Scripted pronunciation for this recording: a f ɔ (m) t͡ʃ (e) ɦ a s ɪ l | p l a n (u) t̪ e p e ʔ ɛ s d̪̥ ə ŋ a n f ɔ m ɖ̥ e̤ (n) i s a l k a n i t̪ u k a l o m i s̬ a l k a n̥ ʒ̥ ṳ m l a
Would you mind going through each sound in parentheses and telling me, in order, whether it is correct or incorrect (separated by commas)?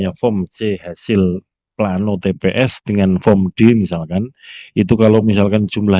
correct, correct, incorrect, incorrect